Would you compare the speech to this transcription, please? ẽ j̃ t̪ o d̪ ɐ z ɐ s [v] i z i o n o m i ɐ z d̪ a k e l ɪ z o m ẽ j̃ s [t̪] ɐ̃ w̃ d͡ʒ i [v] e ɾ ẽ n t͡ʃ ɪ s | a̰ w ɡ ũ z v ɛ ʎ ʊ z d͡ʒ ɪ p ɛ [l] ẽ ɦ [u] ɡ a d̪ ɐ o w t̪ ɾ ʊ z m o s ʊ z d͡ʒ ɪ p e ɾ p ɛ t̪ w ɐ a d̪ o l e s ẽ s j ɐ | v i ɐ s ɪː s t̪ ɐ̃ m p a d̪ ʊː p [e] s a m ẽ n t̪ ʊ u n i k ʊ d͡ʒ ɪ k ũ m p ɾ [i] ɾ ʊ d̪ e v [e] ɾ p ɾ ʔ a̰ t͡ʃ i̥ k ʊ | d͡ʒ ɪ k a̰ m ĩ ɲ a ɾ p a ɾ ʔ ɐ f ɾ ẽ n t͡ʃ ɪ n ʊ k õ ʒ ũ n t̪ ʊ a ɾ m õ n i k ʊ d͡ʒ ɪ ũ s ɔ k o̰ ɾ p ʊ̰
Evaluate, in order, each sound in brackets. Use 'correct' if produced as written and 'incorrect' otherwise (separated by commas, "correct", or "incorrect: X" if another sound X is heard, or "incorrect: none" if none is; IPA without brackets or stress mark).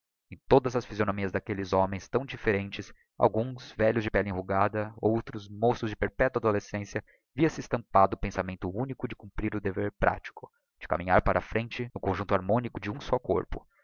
incorrect: f, correct, incorrect: f, correct, correct, incorrect: ẽ, correct, correct